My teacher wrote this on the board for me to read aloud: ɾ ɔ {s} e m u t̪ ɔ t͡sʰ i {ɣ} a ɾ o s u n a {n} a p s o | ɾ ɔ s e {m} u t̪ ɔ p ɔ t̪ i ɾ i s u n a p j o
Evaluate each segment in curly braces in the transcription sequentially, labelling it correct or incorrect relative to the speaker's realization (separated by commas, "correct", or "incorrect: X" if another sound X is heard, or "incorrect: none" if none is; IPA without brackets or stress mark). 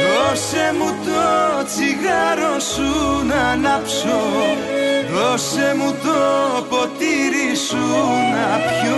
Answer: correct, correct, correct, correct